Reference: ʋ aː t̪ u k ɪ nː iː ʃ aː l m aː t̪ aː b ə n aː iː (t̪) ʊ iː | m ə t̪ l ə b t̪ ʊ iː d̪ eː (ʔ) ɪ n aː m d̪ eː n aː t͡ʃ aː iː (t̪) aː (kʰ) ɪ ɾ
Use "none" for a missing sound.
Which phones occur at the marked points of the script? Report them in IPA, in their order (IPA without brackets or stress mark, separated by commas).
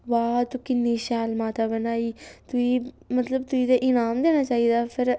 t̪, ʔ, d̪, pʰ